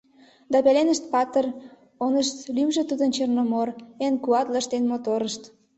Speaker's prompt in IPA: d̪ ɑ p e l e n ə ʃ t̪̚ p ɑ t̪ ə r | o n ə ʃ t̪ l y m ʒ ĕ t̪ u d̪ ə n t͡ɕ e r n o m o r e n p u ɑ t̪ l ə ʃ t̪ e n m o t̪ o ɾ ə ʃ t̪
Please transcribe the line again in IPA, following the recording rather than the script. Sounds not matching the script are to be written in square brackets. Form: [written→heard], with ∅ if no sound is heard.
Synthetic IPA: d̪ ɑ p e l e n ə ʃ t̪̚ p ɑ t̪ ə r | o n ə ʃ t̪ l y m ʒ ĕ t̪ u d̪ ə n t͡ɕ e r n o m o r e n [p→k] u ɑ t̪ l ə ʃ t̪ e n m o t̪ o ɾ ə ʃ t̪

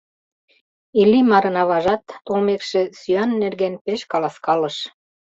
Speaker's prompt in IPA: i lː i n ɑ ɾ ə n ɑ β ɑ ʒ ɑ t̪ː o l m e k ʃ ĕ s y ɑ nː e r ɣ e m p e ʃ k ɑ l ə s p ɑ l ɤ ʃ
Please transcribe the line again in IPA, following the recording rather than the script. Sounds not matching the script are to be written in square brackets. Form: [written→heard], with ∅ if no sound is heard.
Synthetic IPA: i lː i [n→m] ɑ ɾ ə n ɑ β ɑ ʒ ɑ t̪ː o l m e k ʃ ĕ s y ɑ nː e r ɣ e [m→n] p e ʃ k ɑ l [ə→ɑ] s [p→k] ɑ l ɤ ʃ

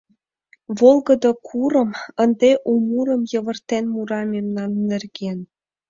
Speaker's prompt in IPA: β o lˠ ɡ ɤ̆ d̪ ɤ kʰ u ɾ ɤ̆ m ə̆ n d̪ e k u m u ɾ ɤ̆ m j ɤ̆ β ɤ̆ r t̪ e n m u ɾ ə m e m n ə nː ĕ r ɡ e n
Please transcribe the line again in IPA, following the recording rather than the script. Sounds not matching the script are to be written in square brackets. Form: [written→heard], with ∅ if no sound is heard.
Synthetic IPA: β o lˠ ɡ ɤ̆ d̪ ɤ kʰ u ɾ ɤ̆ m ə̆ n d̪ e [k→ʔ] u m u ɾ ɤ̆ m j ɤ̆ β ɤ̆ r t̪ e n m u ɾ [ə→ɑ] m e m n [ə→ɑ] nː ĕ r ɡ e n

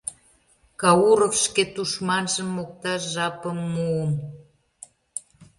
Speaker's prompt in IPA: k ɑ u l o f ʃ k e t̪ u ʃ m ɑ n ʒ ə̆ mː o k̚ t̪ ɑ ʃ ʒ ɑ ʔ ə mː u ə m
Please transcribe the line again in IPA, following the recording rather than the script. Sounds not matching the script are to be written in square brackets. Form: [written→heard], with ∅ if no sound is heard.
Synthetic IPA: k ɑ u [l→ɾ] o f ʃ k e t̪ u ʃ m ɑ n ʒ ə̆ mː o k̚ t̪ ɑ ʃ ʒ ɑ [ʔ→p] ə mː u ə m

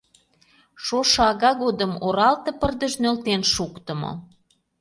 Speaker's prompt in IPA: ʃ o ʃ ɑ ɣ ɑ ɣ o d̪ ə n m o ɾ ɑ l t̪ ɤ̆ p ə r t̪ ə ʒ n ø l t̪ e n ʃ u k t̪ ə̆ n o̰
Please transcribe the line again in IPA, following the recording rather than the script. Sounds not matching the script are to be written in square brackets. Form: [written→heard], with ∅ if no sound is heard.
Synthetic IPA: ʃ o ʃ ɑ ɣ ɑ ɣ o d̪ ə [n→∅] m o ɾ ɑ l t̪ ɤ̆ p ə r [t̪→d̪] ə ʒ n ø l t̪ e n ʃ u k t̪ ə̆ [n→m] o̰

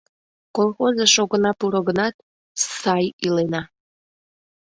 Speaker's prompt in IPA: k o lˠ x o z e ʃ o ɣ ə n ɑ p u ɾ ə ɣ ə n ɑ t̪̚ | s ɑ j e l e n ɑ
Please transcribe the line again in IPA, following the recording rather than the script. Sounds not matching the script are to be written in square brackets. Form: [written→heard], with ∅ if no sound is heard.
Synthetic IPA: k o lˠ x o z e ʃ o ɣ ə n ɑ p u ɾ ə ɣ ə n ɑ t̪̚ | s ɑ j [e→i] l e n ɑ

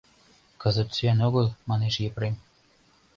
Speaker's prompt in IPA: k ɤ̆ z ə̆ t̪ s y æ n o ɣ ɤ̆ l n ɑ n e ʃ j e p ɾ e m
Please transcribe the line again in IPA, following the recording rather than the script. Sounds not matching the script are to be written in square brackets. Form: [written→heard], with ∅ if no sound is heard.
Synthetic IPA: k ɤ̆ z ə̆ t̪ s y æ n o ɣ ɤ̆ l [n→m] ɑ n e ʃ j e p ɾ e m

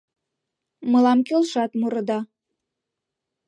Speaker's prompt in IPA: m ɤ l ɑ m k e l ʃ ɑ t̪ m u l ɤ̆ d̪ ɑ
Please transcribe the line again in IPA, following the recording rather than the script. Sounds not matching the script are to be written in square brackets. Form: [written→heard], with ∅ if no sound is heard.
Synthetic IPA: m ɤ l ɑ m k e l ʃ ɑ t̪ m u [l→ɾ] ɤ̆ d̪ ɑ

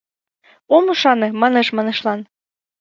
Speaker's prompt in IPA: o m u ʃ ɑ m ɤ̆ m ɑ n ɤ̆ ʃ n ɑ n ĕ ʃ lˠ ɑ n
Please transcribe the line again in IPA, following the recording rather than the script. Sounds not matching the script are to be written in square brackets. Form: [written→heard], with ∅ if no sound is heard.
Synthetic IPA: o m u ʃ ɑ [m→n] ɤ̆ m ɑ n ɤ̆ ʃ [n→m] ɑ n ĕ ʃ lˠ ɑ n

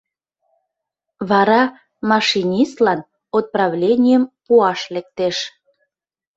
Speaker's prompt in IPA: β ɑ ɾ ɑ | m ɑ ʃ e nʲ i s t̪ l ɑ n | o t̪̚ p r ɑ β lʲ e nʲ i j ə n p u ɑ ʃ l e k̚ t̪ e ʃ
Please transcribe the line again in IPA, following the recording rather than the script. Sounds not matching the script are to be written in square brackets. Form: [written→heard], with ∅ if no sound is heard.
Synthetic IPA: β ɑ ɾ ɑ | m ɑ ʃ [e→i] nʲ i s t̪ l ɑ n | o t̪̚ p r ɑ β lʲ e nʲ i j ə [n→m] p u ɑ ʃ l e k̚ t̪ e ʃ

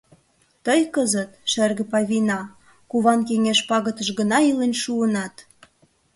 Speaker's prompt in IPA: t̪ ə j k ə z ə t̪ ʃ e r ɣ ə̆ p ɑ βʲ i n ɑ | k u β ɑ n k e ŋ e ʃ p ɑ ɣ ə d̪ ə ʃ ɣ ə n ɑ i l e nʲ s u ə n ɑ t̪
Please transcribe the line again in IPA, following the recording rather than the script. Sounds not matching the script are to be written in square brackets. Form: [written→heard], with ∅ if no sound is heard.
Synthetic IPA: t̪ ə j k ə z ə t̪ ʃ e r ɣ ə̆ p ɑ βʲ i n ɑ | k u β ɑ n k e ŋ e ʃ p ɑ ɣ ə [d̪→t̪] ə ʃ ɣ ə n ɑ i l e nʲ [s→ʃ] u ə n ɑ t̪

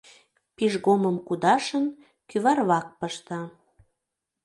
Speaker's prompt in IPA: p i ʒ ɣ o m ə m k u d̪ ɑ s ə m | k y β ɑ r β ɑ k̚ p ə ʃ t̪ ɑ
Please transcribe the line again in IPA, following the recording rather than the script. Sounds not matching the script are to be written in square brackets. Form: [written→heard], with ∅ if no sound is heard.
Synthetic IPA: p i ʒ ɣ o m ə m k u d̪ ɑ [s→ʃ] ə [m→n] | k y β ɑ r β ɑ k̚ p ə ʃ t̪ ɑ

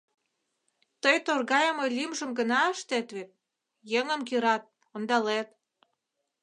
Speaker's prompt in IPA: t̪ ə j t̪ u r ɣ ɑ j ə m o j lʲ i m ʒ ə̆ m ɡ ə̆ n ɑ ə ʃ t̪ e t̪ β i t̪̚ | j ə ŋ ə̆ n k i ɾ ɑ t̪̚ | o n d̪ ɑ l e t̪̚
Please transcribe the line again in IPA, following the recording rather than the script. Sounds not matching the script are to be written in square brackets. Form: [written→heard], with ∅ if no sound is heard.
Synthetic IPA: t̪ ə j t̪ [u→o] r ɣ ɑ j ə m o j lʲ i m ʒ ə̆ m ɡ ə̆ n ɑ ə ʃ t̪ e t̪ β [i→e] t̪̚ | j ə ŋ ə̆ [n→m] k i ɾ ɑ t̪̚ | o n d̪ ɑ l e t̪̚

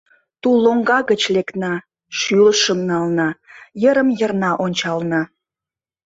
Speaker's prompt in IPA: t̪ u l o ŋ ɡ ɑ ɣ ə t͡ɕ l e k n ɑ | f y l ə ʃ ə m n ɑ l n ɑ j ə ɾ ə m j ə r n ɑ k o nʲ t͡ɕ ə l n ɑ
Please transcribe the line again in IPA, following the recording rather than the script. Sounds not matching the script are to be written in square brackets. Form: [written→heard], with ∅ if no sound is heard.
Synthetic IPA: t̪ u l o ŋ ɡ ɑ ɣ ə t͡ɕ l e k n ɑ | [f→ʃ] y l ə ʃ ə m n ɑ l n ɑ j ə ɾ ə m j ə r n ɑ [k→ʔ] o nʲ t͡ɕ [ə→ɑ] l n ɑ

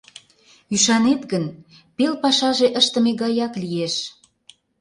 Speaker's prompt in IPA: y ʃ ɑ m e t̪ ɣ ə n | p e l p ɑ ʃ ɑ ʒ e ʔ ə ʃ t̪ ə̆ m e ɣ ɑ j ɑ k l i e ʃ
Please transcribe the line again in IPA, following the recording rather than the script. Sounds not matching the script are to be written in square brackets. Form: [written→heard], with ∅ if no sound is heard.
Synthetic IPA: y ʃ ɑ [m→n] e t̪ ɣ ə n | p e l p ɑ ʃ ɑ ʒ e ʔ ə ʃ t̪ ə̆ m e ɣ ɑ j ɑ k l i e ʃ

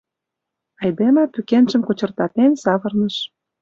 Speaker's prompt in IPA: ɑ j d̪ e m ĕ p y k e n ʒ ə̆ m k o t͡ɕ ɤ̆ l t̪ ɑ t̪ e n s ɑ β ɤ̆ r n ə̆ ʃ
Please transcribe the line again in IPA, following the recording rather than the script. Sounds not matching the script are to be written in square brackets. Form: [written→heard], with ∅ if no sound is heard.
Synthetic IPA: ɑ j d̪ e m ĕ p y k e n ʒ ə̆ m k o t͡ɕ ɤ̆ [l→r] t̪ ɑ t̪ e n s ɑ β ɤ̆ r n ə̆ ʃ

